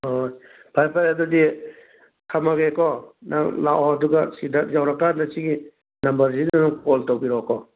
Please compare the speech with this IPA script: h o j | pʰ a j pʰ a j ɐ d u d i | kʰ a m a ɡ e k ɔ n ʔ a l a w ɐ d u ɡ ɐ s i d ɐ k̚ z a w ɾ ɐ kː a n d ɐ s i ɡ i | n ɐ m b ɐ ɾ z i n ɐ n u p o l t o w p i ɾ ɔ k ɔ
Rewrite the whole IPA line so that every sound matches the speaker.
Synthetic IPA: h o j | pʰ a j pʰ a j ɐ d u d i | kʰ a m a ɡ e k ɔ n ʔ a l a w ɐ d u ɡ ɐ s i d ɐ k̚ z a w ɾ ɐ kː a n d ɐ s i ɡ i | n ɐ m b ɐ ɾ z i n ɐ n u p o l t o w b i ɾ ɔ k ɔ